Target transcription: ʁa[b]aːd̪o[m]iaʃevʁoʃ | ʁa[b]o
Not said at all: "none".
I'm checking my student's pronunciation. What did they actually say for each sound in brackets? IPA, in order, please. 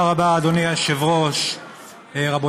b, n, b

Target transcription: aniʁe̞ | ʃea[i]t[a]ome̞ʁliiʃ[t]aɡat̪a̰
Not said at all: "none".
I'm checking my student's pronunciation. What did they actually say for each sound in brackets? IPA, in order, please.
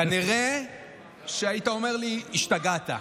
i, a, t

